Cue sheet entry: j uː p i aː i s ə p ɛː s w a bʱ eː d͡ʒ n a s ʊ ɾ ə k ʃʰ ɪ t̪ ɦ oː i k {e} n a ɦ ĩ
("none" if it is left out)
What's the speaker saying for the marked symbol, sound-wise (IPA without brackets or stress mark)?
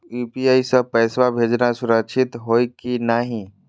i